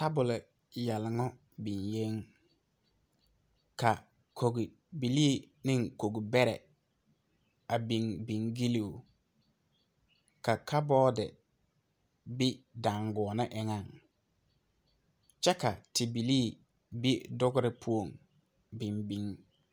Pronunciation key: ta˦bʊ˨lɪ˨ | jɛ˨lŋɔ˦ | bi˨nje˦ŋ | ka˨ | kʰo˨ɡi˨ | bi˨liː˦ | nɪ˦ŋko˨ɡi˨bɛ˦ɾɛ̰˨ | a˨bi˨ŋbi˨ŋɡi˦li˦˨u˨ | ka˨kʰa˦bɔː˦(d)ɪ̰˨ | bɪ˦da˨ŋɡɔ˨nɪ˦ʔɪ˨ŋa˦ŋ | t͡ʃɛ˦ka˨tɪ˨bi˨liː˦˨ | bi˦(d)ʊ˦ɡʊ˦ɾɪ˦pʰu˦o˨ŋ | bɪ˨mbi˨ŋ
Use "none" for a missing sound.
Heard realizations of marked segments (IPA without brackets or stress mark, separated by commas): d, d